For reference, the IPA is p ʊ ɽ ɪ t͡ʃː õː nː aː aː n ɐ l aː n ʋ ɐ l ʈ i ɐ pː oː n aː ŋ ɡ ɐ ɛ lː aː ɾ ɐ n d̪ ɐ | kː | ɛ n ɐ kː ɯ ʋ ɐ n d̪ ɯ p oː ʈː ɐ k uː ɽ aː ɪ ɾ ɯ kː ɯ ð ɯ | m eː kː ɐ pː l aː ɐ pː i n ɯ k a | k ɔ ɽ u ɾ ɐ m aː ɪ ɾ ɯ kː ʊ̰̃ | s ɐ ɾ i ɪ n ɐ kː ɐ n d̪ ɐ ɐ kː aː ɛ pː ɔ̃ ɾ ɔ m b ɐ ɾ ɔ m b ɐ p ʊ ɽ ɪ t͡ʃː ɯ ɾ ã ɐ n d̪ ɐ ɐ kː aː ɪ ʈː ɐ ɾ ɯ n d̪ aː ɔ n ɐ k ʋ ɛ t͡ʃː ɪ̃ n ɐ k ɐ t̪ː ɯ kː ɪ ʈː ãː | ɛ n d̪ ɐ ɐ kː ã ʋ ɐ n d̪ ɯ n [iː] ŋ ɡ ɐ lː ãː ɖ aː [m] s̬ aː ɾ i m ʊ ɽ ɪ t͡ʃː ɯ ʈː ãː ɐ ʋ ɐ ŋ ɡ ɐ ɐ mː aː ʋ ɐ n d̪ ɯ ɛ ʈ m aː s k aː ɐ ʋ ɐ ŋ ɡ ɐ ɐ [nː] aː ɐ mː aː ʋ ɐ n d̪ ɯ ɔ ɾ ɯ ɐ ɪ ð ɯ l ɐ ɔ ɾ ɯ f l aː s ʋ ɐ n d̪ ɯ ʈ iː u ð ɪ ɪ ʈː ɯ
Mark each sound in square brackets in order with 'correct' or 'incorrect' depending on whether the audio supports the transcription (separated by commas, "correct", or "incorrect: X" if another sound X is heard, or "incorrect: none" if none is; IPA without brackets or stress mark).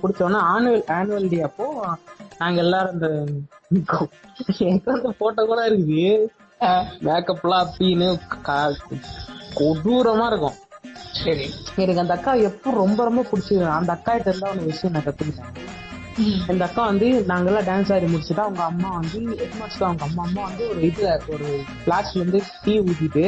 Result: incorrect: aː, incorrect: n, incorrect: mː